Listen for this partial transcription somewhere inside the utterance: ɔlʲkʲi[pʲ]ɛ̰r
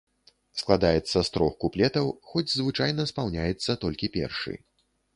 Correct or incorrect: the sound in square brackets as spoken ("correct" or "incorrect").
correct